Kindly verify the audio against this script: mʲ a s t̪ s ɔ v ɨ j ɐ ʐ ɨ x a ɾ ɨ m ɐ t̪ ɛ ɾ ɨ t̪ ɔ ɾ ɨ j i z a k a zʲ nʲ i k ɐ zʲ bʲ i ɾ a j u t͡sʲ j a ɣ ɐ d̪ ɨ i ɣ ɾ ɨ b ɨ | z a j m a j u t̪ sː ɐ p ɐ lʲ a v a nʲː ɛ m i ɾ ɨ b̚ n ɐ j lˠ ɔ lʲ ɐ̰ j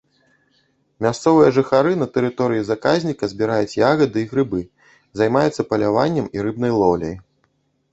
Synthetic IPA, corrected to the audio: mʲ a s t̪ s ɔ v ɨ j ɐ ʐ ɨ x a ɾ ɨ n ɐ t̪ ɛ ɾ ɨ t̪ ɔ ɾ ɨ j i z a k a zʲ nʲ i k ɐ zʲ bʲ i ɾ a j u t͡sʲ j a ɣ ɐ d̪ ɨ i ɣ ɾ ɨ b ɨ | z a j m a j u t̪ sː ɐ p ɐ lʲ a v a nʲː ɛ m i ɾ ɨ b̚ n ɐ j lˠ ɔ lʲ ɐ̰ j